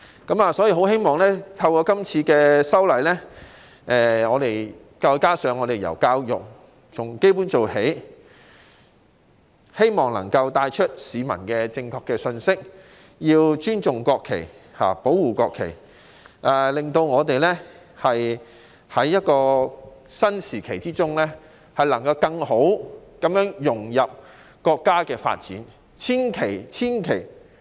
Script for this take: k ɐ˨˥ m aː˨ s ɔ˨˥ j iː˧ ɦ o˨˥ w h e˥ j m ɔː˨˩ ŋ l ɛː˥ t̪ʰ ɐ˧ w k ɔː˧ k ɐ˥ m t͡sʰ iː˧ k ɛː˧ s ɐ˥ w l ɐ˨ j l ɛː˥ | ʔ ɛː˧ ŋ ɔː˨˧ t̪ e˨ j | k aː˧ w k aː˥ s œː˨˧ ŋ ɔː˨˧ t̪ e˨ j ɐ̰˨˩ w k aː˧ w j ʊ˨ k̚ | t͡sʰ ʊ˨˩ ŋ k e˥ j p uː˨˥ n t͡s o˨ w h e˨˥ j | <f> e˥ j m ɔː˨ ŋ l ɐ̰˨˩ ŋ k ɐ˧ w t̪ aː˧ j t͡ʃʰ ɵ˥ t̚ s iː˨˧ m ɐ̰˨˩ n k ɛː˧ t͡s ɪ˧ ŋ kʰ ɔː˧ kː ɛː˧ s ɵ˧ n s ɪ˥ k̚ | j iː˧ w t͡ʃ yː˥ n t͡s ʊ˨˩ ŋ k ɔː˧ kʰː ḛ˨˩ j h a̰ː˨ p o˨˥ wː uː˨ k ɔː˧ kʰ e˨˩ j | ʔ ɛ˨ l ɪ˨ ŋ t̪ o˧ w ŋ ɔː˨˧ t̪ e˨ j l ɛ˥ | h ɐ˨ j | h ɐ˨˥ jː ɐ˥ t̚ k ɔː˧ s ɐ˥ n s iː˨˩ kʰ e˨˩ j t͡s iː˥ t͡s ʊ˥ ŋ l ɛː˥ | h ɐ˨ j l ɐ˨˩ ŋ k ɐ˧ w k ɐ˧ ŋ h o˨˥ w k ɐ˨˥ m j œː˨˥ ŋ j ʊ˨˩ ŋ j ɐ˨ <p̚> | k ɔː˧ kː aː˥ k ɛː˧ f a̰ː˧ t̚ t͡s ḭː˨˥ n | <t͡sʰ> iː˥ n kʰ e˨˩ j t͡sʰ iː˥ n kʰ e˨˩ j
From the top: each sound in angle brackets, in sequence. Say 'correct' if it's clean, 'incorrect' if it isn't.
incorrect: h, correct, correct

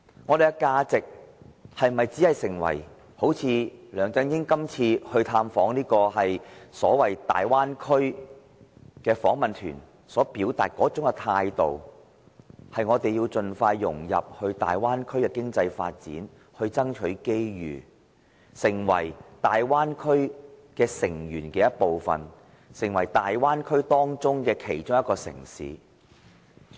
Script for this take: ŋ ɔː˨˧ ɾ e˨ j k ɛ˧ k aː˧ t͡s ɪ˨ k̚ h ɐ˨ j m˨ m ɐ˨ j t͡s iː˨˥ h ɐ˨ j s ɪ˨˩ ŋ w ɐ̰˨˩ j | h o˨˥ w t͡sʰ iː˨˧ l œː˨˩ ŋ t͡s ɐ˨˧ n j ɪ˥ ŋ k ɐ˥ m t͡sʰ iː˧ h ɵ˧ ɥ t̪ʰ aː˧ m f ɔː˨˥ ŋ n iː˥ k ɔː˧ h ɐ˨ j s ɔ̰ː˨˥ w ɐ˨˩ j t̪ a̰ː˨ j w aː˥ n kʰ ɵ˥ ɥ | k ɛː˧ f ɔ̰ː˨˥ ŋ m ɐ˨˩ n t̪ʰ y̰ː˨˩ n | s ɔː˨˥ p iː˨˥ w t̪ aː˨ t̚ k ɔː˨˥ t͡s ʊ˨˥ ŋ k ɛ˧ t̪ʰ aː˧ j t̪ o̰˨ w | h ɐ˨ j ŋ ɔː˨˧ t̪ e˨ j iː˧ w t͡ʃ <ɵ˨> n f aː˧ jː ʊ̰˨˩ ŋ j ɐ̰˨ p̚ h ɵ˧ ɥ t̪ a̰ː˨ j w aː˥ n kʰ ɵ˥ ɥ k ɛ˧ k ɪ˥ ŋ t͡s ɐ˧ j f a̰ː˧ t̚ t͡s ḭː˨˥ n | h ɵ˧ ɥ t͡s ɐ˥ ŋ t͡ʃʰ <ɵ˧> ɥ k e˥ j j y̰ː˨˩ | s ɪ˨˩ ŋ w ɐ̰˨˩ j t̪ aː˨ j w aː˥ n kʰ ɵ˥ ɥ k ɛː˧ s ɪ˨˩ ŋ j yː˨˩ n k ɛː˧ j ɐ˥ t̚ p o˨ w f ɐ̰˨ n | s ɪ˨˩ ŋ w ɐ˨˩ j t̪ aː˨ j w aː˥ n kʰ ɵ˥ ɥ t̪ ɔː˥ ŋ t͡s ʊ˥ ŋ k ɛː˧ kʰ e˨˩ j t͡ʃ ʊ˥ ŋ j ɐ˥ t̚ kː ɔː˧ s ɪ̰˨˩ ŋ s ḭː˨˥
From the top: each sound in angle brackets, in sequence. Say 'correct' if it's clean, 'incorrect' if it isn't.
correct, incorrect: ɵ˨˥

